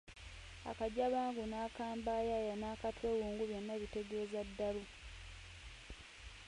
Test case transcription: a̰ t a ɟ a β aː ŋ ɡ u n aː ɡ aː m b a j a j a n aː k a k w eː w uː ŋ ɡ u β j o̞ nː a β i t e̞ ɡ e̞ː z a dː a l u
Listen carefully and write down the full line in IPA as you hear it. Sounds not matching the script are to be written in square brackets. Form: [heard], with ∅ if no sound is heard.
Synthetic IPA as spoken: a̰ [k] a ɟ a β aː ŋ ɡ u n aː [k] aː m b a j a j a n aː k a [t] w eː w uː ŋ ɡ u β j o̞ nː a β i t e̞ ɡ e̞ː z a dː a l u